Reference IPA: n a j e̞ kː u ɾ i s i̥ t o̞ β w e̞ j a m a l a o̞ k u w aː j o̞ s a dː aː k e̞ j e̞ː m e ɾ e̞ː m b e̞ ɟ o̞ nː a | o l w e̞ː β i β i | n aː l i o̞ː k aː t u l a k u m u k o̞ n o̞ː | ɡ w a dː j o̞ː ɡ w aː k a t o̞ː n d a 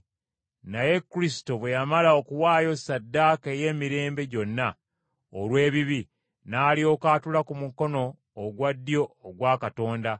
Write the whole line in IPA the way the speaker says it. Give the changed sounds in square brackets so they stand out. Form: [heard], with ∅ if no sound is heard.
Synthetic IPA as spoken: n a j e̞ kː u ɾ i s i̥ t o̞ β w e̞ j a m a l a o̞ k u w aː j o̞ s a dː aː k e̞ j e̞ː m [i] ɾ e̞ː m b e̞ ɟ o̞ nː a | o l w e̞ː β i β i | n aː l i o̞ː k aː t u l a k u m u k o̞ n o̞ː | ɡ w a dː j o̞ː ɡ w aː k a t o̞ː n d a